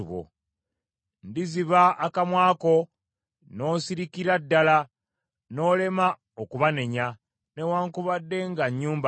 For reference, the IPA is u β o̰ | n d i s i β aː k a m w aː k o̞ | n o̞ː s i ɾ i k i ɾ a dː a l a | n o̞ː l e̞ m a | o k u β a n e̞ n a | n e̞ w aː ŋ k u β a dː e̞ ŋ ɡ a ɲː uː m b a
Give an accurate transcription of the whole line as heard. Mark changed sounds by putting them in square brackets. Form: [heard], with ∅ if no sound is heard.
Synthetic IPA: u β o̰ | n d i [z] i β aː k a m w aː k o̞ | n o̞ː s i ɾ i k i ɾ a dː a l a | n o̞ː l e̞ m a | o k u β a n e̞ [ɲ] a | n e̞ w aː ŋ k u β a dː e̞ ŋ ɡ a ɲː uː m b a